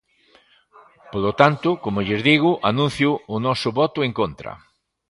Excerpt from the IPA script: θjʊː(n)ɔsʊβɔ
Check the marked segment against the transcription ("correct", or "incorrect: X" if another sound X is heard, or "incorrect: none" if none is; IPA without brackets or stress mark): correct